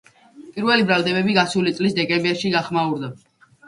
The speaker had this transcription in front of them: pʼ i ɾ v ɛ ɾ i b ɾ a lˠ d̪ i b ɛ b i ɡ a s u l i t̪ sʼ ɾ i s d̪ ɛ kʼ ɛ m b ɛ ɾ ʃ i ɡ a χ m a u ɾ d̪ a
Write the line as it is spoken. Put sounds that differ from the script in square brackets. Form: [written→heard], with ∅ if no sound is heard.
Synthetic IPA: pʼ i ɾ v ɛ [ɾ→l] i b ɾ a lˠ d̪ [i→ɛ] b ɛ b i ɡ a s u l i t̪ sʼ [ɾ→l] i s d̪ ɛ kʼ ɛ m b ɛ ɾ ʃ i ɡ a χ m a u ɾ d̪ a

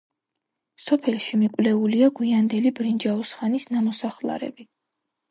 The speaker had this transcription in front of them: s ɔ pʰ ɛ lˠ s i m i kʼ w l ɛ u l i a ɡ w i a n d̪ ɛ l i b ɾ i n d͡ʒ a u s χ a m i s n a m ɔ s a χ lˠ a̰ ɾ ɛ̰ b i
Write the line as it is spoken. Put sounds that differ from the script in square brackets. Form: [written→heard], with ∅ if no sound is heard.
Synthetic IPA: s ɔ pʰ ɛ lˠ [s→ʃ] i m i kʼ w l ɛ u l i a ɡ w i a n d̪ ɛ l i b ɾ i n d͡ʒ a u s χ a [m→n] i s n a m ɔ s a χ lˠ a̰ ɾ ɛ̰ b i

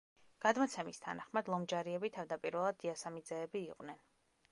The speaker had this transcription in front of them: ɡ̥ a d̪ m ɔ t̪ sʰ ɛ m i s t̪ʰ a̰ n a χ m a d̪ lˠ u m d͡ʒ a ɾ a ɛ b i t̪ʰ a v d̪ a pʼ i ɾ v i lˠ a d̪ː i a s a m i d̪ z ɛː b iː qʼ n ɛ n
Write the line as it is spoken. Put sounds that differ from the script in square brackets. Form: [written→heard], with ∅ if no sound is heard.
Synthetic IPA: ɡ̥ a d̪ m ɔ t̪ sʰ ɛ m i s t̪ʰ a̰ n a χ m a d̪ lˠ [u→ɔ] m d͡ʒ a ɾ [a→i] ɛ b i t̪ʰ a v d̪ a pʼ i ɾ v [i→ɛ] lˠ a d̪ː i a s a m i d̪ z ɛː b iː qʼ n ɛ n

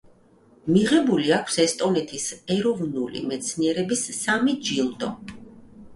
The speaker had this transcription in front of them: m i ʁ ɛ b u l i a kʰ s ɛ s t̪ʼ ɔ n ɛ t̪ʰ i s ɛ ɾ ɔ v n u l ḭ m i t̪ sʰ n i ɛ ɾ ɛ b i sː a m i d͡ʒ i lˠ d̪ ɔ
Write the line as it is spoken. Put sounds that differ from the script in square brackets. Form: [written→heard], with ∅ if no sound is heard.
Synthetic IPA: m i ʁ ɛ b u l i a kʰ s ɛ s t̪ʼ ɔ n ɛ t̪ʰ i s ɛ ɾ ɔ v n u l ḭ m [i→ɛ] t̪ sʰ n i ɛ ɾ ɛ b i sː a m i d͡ʒ i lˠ d̪ ɔ

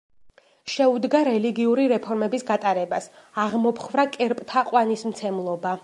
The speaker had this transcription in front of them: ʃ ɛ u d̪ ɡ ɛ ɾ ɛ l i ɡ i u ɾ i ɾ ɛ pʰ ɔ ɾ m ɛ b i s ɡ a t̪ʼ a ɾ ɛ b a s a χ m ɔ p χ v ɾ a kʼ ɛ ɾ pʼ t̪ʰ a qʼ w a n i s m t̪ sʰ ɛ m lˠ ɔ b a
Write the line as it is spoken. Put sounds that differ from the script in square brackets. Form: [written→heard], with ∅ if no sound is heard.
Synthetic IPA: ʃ ɛ u d̪ ɡ [ɛ→a] ɾ ɛ l i ɡ i u ɾ i ɾ ɛ pʰ ɔ ɾ m ɛ b i s ɡ a t̪ʼ a ɾ ɛ b a s a [χ→ʁ] m ɔ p χ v ɾ a kʼ ɛ ɾ pʼ t̪ʰ a qʼ w a n i s m t̪ sʰ ɛ m lˠ ɔ b a

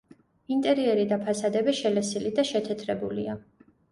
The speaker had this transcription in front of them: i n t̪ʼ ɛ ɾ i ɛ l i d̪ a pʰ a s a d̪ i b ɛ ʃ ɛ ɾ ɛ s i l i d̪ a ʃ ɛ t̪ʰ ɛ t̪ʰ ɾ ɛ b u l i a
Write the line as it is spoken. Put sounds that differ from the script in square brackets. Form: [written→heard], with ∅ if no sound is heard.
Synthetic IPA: i n t̪ʼ ɛ ɾ i ɛ [l→ɾ] i d̪ a pʰ a s a d̪ [i→ɛ] b ɛ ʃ ɛ [ɾ→l] ɛ s i l i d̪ a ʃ ɛ t̪ʰ ɛ t̪ʰ ɾ ɛ b u l i a

